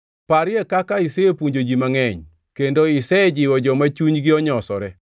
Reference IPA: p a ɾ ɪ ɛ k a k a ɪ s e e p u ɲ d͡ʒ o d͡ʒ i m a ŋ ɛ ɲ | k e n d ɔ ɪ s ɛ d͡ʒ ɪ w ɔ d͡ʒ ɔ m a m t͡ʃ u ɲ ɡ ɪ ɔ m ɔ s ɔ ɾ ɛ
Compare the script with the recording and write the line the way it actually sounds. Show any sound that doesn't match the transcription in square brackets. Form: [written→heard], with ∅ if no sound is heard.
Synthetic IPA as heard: p a ɾ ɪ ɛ k a k a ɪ s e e p u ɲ d͡ʒ o d͡ʒ i m a ŋ ɛ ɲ | k e n d [ɔ→o] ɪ s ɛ d͡ʒ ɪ w ɔ d͡ʒ ɔ m a [m→∅] t͡ʃ u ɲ ɡ ɪ ɔ [m→ɲ] ɔ s ɔ ɾ ɛ

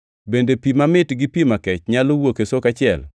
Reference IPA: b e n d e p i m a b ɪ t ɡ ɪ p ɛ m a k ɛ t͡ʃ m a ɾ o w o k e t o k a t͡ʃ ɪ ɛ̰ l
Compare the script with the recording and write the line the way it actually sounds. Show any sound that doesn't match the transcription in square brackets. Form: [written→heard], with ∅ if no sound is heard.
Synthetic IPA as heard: b e n d e p i m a [b→m] ɪ t ɡ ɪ p [ɛ→i] m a k ɛ t͡ʃ [m→ɲ] a [ɾ→l] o w o k e [t→s] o k a t͡ʃ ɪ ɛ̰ l

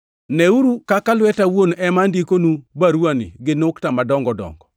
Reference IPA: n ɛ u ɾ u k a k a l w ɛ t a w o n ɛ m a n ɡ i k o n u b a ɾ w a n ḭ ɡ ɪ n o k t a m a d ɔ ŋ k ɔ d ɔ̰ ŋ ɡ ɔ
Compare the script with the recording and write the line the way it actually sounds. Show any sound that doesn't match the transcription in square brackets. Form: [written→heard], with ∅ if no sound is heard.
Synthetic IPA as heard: n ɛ u ɾ u k a k a l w ɛ t a w o n ɛ m a n [ɡ→d] i k o n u b a ɾ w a n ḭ ɡ ɪ n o k t a m a d ɔ ŋ [k→ɡ] ɔ d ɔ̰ ŋ ɡ ɔ

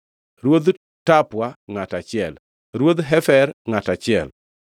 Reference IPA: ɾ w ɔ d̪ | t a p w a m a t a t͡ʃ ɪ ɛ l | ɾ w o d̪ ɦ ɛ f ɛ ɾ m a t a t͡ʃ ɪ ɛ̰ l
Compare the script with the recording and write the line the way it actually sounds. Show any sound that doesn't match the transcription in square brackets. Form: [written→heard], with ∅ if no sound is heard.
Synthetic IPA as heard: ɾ w [ɔ→o] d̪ | t a p w a [m→ŋ] a t a t͡ʃ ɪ ɛ l | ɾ w o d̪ ɦ ɛ f ɛ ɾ [m→ŋ] a t a t͡ʃ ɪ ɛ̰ l

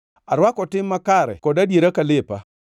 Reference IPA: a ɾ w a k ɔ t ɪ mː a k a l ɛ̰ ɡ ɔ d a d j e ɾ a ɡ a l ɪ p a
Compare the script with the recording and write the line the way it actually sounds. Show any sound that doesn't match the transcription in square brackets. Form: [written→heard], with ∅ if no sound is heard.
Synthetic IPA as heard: a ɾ w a k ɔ t ɪ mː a k a [l→ɾ] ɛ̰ [ɡ→k] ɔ d a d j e ɾ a [ɡ→k] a l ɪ p a

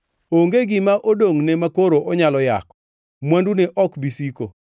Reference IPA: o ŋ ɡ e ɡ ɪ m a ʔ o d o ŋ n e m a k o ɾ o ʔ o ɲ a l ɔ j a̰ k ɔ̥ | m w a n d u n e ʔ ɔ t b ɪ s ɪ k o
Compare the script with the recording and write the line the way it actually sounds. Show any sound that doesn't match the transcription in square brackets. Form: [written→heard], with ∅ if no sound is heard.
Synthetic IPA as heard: o ŋ ɡ e ɡ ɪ m a ʔ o d o ŋ n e m a k o ɾ o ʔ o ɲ a l ɔ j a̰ k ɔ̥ | m w a n d u n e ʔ ɔ [t→k] b [ɪ→i] s [ɪ→i] k o

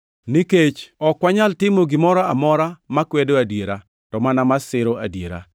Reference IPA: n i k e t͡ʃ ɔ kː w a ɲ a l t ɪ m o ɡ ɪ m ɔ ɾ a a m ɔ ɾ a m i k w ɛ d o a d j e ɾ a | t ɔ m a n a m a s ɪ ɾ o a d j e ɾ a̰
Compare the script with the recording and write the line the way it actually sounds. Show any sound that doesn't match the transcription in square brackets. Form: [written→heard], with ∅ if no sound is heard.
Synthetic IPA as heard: n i k e t͡ʃ ɔ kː w a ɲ a l t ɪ m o ɡ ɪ m ɔ ɾ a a m ɔ ɾ a m [i→a] k w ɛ d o a d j e ɾ a | t ɔ m a n a m a s ɪ ɾ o a d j e ɾ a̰

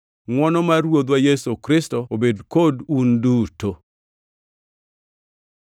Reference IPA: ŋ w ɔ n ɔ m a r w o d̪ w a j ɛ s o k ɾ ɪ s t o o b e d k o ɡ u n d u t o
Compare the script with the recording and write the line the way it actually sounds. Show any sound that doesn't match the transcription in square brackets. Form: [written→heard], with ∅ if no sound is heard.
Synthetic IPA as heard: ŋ w ɔ n ɔ m a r w o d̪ w a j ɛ s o k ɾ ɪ s t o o b e d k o [ɡ→d] u n d u t o

